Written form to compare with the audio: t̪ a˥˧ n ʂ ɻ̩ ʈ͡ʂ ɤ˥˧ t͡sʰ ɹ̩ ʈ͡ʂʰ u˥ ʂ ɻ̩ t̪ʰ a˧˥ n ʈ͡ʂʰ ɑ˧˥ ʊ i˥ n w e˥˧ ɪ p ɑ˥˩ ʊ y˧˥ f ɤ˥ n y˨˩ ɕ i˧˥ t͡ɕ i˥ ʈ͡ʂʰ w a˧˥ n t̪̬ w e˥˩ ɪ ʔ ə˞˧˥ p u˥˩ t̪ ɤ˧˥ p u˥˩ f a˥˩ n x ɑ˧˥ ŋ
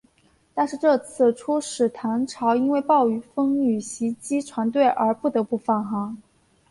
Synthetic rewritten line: t̪ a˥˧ n ʂ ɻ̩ ʈ͡ʂ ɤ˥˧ t͡sʰ ɹ̩ ʈ͡ʂʰ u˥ ʂ ɻ̩ t̪ʰ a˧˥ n ʈ͡ʂʰ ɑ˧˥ ʊ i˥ n w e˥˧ ɪ p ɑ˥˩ ʊ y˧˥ f ɤ˥ ŋ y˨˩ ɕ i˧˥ t͡ɕ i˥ ʈ͡ʂʰ w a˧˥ n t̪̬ w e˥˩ ɪ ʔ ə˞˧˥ p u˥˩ t̪ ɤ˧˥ p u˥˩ f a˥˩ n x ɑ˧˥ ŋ